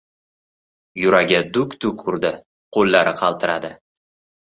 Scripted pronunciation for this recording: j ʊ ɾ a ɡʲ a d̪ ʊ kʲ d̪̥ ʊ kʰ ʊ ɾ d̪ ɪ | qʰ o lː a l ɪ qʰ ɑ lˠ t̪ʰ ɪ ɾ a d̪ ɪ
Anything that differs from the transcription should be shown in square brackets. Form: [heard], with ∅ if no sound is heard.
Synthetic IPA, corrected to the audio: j ʊ ɾ a ɡʲ a d̪ ʊ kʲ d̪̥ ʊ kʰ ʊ ɾ d̪ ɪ | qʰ o lː a [ɾ] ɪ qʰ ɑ lˠ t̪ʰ ɪ ɾ a d̪ ɪ

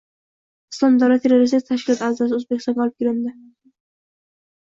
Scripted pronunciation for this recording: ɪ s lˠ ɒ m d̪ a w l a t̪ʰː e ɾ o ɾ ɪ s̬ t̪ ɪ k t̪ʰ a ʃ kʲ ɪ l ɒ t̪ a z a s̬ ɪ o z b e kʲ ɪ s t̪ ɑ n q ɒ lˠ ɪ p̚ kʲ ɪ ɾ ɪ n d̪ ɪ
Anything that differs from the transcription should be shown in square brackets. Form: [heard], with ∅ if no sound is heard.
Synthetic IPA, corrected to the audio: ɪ s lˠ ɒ m d̪ a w l a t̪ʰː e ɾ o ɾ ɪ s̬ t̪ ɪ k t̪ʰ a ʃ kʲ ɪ l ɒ t̪ a z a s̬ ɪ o z b e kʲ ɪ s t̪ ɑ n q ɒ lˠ ɪ p̚ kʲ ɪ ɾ ɪ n d̪ ɪ

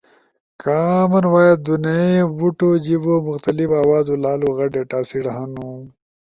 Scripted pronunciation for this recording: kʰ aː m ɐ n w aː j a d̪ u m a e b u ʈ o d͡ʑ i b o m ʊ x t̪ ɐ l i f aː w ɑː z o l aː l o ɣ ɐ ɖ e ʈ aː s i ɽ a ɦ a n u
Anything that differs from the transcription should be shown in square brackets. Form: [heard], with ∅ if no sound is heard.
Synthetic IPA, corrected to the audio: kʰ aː m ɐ n w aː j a d̪ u [n] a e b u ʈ o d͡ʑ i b o m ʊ x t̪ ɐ l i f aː w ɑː z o l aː l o ɣ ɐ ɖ e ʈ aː s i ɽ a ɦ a n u

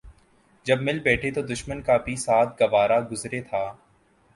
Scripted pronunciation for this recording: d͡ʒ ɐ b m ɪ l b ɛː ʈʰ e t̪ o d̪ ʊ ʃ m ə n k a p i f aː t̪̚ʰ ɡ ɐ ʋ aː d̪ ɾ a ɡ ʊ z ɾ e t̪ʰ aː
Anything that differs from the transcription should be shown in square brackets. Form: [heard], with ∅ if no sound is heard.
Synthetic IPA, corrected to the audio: d͡ʒ ɐ b m ɪ l b ɛː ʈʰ e t̪ o d̪ ʊ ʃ m ə n k a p i [s] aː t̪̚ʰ ɡ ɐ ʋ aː [∅] ɾ a ɡ ʊ z ɾ e t̪ʰ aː

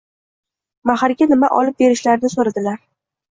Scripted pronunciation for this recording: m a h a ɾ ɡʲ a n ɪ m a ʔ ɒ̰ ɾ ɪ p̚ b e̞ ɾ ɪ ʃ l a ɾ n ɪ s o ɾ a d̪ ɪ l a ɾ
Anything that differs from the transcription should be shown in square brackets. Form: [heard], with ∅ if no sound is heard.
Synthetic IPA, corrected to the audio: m a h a ɾ ɡʲ a n ɪ m a ʔ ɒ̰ [l] ɪ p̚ b e̞ ɾ ɪ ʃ l a ɾ n ɪ s o ɾ a d̪ ɪ l a ɾ

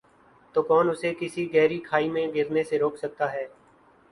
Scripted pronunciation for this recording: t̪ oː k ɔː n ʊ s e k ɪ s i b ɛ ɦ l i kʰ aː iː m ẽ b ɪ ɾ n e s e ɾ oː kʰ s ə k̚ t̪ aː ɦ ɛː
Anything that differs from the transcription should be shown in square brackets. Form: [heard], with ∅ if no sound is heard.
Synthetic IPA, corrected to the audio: t̪ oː k ɔː n ʊ s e k ɪ s i [ɡ] ɛ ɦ [ɾ] i kʰ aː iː m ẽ [ɡ] ɪ ɾ n e s e ɾ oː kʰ s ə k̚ t̪ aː ɦ ɛː

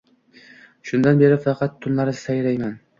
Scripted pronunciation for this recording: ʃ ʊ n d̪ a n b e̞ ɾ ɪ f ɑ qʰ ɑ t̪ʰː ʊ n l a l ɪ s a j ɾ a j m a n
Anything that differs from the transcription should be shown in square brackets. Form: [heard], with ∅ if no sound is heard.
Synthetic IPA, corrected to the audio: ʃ ʊ n d̪ a n b e̞ ɾ ɪ f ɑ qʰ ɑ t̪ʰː ʊ n l a [ɾ] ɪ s a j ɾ a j m a n

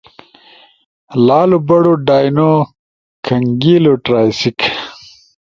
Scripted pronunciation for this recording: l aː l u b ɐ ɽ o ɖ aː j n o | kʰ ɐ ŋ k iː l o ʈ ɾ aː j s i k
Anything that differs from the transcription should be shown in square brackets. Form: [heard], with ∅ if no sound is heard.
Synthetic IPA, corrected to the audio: l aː l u b ɐ ɽ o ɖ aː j n o | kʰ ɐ ŋ [ɡ] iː l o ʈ ɾ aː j s i k

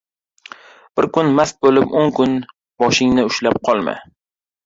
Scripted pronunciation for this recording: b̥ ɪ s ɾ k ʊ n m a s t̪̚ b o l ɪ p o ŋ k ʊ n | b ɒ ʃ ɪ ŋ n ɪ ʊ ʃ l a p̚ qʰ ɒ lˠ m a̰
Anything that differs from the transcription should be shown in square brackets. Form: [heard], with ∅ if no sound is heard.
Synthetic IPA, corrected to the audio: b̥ ɪ [∅] ɾ k ʊ n m a s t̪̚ b o l ɪ p o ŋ k ʊ n | b ɒ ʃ ɪ ŋ n ɪ ʊ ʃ l a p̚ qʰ ɒ lˠ m a̰

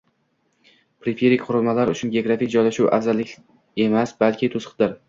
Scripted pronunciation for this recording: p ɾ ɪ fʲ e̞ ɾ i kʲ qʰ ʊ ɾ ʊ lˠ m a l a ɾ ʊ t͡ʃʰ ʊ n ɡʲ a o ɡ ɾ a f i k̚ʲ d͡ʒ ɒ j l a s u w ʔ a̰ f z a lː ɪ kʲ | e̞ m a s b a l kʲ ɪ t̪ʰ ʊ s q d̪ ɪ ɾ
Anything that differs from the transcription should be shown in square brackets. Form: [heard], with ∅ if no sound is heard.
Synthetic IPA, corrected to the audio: p ɾ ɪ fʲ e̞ ɾ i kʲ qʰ ʊ ɾ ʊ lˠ m a l a ɾ ʊ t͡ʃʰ ʊ n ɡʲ [e] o ɡ ɾ a f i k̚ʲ d͡ʒ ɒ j l a [ʃ] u w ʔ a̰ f z a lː ɪ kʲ | e̞ m a s b a l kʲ ɪ t̪ʰ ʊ s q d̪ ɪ ɾ

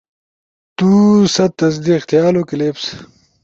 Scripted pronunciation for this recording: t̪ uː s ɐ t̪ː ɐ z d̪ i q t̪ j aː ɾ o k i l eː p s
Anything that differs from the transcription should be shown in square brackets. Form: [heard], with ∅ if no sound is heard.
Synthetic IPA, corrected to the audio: t̪ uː s ɐ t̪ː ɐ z d̪ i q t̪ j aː [l] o k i l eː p s

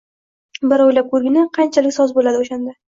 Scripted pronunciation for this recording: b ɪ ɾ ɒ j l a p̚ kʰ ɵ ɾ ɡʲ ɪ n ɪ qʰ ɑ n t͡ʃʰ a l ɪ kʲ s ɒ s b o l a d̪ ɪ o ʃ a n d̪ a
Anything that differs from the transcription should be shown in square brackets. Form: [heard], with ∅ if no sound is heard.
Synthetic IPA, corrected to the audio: b ɪ ɾ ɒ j l a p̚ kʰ ɵ ɾ ɡʲ ɪ n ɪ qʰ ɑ n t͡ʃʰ a l ɪ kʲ s ɒ [z] b o l a d̪ ɪ o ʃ a n d̪ a

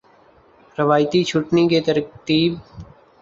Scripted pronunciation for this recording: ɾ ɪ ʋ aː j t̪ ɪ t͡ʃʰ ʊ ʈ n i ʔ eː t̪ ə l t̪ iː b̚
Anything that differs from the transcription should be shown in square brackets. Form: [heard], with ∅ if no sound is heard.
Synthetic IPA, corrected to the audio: ɾ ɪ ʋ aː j t̪ [i] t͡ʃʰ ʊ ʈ n i [k] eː t̪ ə [ɾ] t̪ iː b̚

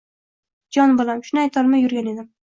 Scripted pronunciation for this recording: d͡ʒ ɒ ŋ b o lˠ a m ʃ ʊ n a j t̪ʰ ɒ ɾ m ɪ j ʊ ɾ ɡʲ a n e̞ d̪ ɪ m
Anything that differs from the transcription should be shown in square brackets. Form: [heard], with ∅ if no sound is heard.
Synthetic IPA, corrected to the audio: d͡ʒ ɒ [n] b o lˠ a m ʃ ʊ n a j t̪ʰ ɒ ɾ m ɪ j ʊ ɾ ɡʲ a n e̞ d̪ ɪ m

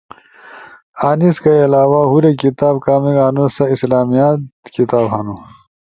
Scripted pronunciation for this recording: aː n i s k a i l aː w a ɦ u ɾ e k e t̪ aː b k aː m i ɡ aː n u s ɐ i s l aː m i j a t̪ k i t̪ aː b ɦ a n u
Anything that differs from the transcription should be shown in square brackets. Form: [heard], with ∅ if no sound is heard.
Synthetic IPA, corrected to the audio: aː n i s k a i l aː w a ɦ u ɾ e k [i] t̪ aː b k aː m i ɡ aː n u s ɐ i s l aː m i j a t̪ k i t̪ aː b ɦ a n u

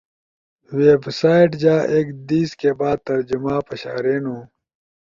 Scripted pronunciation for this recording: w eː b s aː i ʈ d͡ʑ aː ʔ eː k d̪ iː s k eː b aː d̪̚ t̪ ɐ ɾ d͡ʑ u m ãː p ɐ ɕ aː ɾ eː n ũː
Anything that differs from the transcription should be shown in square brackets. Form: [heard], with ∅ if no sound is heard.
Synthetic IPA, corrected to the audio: w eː b s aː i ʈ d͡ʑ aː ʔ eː k d̪ iː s k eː b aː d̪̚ t̪ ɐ ɾ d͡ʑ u m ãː p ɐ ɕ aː ɾ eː n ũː

